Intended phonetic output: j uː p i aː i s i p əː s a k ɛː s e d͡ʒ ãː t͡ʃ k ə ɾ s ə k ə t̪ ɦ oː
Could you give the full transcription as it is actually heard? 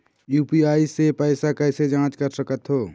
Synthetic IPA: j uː p i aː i s e p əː s a k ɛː s e d͡ʒ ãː t͡ʃ k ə ɾ s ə k ə t̪ ɦ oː

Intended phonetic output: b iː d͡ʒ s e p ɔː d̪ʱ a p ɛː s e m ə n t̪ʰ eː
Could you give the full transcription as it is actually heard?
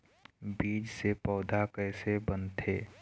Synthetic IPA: b iː d͡ʒ s e p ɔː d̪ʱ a k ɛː s e b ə n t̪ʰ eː

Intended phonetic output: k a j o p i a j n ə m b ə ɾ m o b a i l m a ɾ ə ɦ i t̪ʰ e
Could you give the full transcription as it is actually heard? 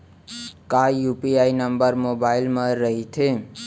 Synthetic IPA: k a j u p i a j n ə m b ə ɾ m o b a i l m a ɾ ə ɦ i t̪ʰ e

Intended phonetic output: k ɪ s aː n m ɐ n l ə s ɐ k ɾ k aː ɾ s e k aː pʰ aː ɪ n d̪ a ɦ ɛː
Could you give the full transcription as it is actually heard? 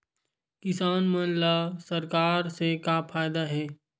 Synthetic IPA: k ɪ s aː n m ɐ n l a s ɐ ɾ k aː ɾ s e k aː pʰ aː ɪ d̪ a ɦ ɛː

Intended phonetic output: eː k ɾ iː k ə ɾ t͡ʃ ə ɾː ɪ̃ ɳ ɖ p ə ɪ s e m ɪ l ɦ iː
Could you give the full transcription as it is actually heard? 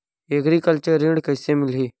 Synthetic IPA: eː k ɾ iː k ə l t͡ʃ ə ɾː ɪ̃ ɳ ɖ k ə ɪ s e m ɪ l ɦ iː

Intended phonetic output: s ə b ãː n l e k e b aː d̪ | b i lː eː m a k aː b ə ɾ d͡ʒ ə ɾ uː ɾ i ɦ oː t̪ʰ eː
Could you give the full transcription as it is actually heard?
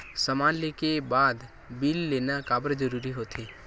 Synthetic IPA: s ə m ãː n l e k e b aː d̪ | b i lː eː n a k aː b ə ɾ d͡ʒ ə ɾ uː ɾ i ɦ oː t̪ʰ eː

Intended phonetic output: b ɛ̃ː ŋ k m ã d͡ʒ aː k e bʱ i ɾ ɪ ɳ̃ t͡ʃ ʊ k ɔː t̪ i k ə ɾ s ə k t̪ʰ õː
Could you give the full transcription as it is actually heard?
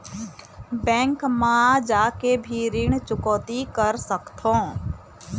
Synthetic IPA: b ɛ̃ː ŋ k m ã d͡ʒ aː k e bʱ i ɾ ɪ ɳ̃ t͡ʃ ʊ k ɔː t̪ i k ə ɾ s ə k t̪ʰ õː

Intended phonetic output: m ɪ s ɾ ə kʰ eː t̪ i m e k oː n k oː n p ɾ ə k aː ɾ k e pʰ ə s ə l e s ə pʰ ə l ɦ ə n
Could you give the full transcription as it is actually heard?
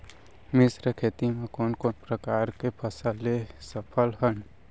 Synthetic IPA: m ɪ s ɾ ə kʰ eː t̪ i m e k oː n k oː n p ɾ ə k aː ɾ k e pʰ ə s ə l e s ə pʰ ə l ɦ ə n

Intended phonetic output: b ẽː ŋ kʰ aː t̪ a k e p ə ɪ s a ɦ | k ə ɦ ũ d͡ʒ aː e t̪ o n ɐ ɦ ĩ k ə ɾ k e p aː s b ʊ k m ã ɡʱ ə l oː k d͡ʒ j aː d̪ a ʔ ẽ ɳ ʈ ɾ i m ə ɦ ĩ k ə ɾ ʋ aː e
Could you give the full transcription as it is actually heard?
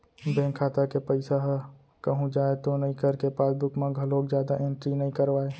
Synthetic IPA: b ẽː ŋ kʰ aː t̪ a k e p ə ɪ s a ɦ | k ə ɦ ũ d͡ʒ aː e t̪ o n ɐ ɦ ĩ k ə ɾ k e p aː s b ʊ k m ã ɡʱ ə l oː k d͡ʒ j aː d̪ a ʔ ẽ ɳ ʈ ɾ i n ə ɦ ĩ k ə ɾ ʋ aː e

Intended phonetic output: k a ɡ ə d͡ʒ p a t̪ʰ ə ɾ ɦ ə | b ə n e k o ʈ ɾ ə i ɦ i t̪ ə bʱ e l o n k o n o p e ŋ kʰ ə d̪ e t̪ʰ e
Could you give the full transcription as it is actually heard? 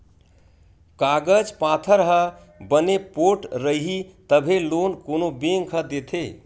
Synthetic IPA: k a ɡ ə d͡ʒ p a t̪ʰ ə ɾ ɦ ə | b ə n e p o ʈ ɾ ə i ɦ i t̪ ə bʱ e l o n k o n o b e ŋ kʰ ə d̪ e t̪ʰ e

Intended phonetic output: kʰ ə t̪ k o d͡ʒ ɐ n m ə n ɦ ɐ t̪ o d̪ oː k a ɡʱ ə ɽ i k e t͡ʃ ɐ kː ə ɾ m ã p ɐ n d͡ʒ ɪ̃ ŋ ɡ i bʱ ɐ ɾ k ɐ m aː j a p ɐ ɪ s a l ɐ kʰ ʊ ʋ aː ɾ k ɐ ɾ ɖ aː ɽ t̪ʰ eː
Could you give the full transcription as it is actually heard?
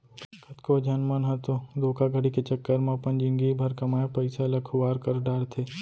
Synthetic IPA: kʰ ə t̪ k o d͡ʒ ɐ n m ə n ɦ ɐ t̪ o d̪ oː k a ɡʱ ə ɽ i k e t͡ʃ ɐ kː ə ɾ m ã p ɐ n d͡ʒ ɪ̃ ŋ ɡ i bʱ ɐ ɾ k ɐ m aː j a p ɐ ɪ s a l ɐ kʰ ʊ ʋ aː ɾ k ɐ ɾ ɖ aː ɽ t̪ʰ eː

